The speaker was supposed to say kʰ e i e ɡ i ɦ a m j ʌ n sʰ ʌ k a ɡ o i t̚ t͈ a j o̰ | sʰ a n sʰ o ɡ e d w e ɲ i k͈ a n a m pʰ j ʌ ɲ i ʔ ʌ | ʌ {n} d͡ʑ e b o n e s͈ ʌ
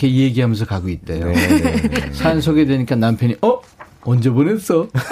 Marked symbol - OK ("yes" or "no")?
yes